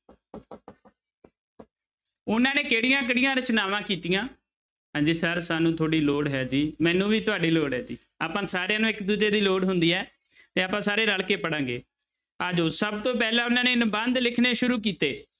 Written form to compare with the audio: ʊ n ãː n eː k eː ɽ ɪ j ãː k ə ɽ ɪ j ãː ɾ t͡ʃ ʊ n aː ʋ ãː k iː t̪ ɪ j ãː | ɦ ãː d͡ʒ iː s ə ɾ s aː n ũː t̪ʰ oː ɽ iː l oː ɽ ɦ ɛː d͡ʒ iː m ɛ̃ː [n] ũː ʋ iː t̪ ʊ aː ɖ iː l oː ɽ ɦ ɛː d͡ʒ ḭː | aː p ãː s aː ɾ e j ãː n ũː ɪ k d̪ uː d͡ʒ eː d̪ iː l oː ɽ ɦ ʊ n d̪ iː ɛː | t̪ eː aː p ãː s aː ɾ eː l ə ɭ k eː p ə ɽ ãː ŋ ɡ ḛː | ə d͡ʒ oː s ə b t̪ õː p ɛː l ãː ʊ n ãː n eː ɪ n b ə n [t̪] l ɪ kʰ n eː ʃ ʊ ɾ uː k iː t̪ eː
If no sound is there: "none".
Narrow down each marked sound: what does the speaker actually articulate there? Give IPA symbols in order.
n, d̪

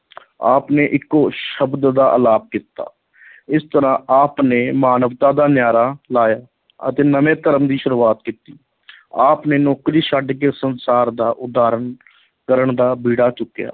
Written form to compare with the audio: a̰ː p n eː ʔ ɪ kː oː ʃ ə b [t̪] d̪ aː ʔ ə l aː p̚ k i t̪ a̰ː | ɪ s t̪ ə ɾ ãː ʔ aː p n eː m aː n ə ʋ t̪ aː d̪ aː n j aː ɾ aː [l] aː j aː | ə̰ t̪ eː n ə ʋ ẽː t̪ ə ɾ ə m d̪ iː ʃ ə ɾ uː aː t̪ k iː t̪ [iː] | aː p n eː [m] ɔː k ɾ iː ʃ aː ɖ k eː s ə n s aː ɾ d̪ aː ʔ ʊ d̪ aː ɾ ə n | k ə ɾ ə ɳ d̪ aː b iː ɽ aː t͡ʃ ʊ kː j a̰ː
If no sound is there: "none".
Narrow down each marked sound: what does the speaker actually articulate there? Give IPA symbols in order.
d̪, l, iː, n

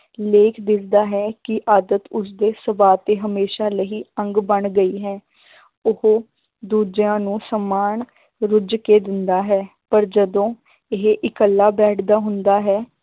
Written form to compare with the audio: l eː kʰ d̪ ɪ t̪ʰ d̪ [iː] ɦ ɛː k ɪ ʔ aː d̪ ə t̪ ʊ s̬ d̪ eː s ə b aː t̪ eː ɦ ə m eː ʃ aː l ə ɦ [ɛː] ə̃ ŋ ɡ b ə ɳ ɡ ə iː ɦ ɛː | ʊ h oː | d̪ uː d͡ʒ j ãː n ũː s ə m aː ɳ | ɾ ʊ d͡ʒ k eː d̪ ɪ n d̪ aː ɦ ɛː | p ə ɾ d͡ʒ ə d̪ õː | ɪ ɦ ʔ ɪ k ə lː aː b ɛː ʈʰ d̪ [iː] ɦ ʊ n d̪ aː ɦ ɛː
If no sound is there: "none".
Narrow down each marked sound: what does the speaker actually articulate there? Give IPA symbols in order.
aː, iː, aː

